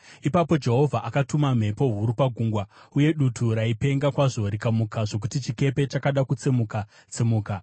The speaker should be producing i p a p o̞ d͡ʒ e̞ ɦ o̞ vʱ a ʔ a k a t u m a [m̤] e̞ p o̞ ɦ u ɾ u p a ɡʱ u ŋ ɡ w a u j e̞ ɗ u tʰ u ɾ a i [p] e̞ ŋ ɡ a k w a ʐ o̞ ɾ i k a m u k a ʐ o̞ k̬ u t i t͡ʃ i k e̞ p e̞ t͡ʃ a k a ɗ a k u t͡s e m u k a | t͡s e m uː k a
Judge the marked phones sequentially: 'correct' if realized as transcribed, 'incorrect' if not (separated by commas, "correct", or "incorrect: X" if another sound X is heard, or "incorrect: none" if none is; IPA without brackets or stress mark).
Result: correct, correct